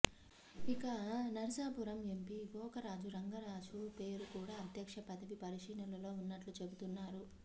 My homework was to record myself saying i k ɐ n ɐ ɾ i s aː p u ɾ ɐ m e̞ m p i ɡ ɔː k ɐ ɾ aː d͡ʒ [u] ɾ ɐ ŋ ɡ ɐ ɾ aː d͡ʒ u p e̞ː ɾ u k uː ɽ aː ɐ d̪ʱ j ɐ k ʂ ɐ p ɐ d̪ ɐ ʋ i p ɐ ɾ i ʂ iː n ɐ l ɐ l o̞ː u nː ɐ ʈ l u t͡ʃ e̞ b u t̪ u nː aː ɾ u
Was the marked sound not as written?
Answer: no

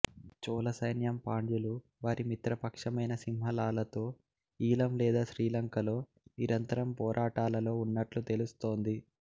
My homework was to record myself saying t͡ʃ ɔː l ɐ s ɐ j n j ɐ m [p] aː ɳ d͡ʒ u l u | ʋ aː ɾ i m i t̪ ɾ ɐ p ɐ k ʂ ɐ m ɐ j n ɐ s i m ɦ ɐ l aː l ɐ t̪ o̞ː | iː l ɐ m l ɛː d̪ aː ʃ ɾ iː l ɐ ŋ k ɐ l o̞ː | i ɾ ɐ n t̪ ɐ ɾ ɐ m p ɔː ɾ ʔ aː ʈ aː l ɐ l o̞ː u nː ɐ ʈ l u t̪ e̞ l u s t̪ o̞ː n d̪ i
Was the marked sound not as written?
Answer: no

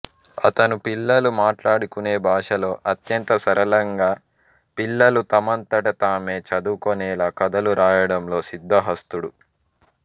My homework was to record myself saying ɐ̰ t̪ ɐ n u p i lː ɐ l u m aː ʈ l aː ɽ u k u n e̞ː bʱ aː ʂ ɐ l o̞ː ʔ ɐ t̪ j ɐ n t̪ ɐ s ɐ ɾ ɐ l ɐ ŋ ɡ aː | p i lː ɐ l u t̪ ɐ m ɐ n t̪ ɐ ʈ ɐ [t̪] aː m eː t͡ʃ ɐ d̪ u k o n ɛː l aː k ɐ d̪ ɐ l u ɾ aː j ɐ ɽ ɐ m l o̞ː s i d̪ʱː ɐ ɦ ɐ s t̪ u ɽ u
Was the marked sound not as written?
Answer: no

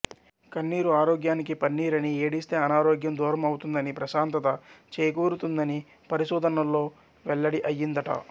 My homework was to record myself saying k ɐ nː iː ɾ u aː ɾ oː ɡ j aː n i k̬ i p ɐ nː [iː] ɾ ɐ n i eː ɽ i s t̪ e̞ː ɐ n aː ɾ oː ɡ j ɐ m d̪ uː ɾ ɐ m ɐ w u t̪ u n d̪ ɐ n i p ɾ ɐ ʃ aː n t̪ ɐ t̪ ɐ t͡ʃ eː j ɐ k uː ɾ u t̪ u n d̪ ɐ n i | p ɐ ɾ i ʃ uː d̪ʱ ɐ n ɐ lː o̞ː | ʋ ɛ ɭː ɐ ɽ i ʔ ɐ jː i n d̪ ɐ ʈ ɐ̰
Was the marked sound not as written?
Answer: no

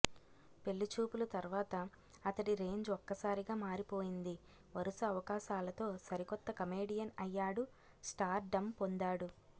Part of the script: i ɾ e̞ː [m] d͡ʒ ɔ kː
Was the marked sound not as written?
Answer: yes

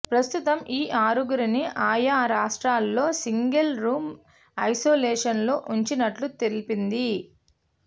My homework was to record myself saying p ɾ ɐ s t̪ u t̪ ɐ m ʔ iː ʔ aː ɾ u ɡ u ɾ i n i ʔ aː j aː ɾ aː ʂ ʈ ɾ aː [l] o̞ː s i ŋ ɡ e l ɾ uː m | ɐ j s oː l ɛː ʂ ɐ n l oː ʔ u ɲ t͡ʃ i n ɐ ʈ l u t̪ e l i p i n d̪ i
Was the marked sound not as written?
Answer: yes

